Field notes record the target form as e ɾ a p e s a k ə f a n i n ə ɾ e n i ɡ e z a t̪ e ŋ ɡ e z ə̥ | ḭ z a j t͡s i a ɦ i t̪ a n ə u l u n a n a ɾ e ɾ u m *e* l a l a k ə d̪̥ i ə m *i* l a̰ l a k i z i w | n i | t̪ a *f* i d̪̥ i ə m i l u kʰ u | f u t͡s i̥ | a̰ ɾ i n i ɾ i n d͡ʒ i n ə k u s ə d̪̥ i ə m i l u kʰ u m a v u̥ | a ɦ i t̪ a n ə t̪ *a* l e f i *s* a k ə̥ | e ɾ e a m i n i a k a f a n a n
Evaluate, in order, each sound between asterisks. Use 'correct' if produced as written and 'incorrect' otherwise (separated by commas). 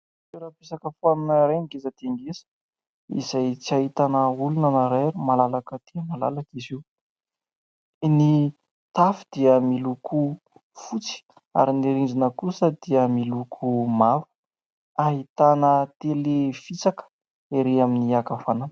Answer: incorrect, incorrect, correct, incorrect, incorrect